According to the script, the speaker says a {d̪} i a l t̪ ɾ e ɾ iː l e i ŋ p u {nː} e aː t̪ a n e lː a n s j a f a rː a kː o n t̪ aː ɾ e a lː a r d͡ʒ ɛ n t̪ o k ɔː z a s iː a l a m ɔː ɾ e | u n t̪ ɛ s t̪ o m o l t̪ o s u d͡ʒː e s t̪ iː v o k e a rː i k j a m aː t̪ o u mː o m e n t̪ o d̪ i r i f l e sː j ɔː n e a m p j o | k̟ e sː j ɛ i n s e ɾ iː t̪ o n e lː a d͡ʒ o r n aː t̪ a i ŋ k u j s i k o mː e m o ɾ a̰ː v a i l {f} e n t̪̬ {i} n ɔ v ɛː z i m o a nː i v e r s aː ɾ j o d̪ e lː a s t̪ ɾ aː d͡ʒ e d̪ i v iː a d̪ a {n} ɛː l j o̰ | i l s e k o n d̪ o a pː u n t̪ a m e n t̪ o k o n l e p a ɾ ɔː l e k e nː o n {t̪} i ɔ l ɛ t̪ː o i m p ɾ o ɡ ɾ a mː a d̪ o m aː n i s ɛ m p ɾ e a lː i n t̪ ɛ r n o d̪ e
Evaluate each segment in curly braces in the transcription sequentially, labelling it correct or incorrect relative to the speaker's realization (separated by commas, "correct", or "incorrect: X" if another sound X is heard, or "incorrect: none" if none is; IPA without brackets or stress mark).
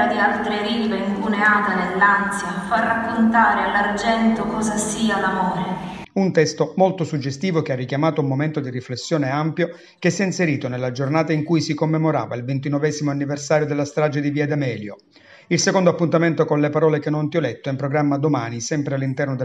correct, incorrect: n, incorrect: v, correct, incorrect: m, correct